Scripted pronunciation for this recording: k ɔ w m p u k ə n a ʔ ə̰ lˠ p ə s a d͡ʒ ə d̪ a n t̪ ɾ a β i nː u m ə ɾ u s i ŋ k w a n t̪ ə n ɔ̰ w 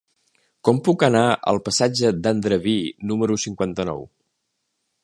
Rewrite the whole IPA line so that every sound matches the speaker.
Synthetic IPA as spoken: k ɔ m p u k ə n a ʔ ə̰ lˠ p ə s a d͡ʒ ə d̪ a n d̪ ɾ ə β i n u m ə ɾ u s i ŋ k w a n t̪ ə n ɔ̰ w